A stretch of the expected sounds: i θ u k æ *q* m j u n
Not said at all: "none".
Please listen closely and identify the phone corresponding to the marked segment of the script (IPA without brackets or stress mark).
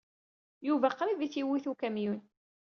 none